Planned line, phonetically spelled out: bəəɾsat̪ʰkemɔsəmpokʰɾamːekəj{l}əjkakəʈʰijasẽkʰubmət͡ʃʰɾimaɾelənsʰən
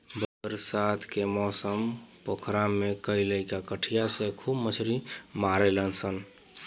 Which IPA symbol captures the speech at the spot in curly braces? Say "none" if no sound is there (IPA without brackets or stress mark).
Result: l